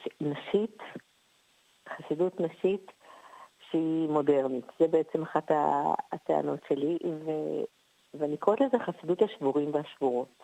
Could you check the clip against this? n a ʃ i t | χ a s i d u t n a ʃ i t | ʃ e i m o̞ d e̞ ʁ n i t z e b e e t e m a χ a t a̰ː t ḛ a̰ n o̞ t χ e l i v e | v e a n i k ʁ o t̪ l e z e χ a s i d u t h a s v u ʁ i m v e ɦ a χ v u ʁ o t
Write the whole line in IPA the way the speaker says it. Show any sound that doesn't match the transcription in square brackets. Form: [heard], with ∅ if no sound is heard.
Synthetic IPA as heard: n a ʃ i t | χ a s i d u t n a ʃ i t | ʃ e i m o̞ d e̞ ʁ n i t z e b e e [t͡s] e m a χ a t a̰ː t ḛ a̰ n o̞ t [ʃ] e l i v e | v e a n i k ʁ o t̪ l e z e χ a s i d u t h a [ʃ] v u ʁ i m v e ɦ a [ʃ] v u ʁ o t